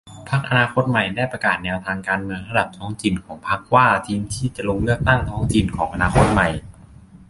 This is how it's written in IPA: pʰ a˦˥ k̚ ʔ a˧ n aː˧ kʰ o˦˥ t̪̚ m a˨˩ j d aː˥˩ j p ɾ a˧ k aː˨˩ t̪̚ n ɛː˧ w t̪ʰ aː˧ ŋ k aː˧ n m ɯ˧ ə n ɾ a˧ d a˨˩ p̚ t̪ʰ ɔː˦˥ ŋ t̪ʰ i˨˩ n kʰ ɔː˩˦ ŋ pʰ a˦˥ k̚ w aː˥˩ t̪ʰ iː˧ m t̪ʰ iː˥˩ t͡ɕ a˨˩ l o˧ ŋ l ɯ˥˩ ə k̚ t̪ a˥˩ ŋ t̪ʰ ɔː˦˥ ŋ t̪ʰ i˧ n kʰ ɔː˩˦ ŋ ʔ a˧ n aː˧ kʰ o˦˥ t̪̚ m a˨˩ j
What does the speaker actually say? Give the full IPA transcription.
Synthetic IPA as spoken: pʰ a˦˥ k̚ ʔ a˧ n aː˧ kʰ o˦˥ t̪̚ m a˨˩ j d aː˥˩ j p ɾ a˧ k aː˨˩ t̪̚ n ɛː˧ w t̪ʰ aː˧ ŋ k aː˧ n m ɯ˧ ə ŋ ɾ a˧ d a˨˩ p̚ t̪ʰ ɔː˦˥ ŋ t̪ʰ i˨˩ n kʰ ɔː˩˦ ŋ pʰ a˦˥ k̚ w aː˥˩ t̪ʰ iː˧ m t̪ʰ iː˥˩ t͡ɕ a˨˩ l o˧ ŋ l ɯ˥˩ ə k̚ t̪ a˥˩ ŋ t̪ʰ ɔː˦˥ ŋ t̪ʰ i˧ n kʰ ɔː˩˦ ŋ ʔ a˧ n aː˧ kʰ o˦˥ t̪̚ m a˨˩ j